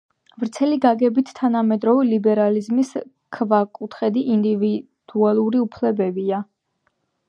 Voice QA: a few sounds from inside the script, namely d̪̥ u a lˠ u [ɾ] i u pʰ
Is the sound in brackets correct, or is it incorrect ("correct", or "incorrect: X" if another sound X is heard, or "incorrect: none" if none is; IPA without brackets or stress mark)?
correct